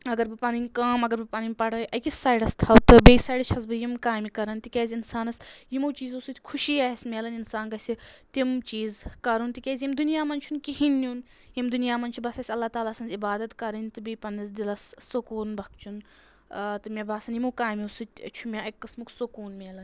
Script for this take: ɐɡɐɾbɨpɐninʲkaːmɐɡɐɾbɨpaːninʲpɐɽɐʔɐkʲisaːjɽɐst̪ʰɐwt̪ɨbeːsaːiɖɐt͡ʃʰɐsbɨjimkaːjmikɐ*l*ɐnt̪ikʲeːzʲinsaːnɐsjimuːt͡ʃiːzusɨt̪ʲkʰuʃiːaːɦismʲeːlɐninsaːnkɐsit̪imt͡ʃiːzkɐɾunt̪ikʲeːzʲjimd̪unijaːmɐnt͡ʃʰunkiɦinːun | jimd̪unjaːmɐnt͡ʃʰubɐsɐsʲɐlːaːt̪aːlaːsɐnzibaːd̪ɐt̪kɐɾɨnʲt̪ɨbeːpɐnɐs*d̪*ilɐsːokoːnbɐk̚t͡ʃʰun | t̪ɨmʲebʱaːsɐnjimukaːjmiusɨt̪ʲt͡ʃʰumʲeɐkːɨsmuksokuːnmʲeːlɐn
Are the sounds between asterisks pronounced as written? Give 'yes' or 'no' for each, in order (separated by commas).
no, yes